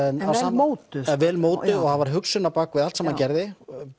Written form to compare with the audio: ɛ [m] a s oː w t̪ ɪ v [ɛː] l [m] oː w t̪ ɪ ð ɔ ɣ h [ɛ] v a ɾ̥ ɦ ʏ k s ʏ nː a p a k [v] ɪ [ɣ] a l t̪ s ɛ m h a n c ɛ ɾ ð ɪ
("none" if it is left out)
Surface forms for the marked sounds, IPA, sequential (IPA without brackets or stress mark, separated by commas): n, ɛː, m, a, v, ð